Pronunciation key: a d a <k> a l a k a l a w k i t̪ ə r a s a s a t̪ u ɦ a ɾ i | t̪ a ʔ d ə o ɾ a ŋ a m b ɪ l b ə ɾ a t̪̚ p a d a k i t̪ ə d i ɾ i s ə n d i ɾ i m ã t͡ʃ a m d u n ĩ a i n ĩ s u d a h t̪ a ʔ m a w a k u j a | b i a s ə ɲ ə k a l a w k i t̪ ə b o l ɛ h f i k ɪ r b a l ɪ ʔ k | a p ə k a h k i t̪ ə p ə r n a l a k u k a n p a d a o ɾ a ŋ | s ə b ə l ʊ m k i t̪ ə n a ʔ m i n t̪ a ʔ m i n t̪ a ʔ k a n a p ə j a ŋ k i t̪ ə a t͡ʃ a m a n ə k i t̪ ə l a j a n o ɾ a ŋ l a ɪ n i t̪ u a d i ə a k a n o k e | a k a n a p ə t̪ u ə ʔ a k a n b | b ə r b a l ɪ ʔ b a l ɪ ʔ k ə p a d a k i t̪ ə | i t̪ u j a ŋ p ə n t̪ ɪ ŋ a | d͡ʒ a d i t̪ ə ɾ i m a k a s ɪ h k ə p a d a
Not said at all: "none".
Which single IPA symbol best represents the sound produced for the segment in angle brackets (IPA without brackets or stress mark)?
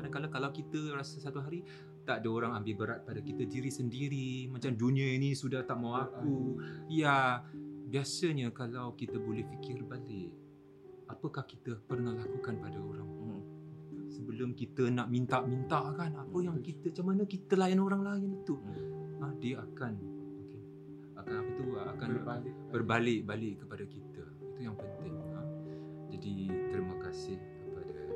k